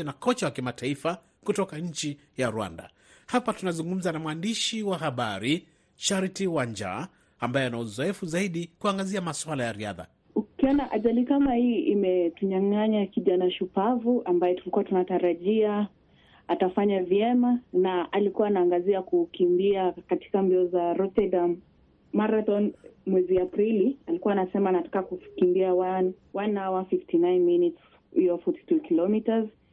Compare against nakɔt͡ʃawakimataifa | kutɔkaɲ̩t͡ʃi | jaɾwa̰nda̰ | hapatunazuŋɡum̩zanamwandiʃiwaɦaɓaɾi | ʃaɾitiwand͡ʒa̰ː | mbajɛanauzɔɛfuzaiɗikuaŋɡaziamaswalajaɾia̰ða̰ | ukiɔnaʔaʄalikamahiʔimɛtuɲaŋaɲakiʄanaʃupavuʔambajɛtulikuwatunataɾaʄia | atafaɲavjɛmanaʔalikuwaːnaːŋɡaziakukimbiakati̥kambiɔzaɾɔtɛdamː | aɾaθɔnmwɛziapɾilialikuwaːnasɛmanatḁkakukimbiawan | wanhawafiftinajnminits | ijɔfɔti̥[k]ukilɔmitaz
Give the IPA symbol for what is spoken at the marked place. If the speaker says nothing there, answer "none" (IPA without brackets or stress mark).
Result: t